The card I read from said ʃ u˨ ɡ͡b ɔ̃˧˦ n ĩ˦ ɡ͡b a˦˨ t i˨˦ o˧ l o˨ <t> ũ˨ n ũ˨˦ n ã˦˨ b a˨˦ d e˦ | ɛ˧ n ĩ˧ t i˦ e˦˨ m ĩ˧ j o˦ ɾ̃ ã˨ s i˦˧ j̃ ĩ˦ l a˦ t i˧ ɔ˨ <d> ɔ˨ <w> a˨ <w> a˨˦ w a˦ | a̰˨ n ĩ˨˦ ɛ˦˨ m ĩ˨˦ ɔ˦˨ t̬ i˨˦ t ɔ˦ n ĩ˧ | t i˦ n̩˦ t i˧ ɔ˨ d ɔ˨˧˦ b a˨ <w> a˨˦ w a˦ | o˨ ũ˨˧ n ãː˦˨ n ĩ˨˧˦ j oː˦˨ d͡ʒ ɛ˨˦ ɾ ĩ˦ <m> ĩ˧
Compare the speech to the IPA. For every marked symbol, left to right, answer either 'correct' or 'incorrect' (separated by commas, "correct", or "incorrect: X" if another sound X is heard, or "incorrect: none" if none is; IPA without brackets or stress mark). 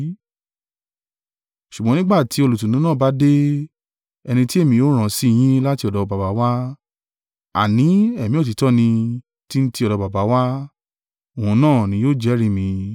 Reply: correct, correct, incorrect: b, incorrect: b, incorrect: b, correct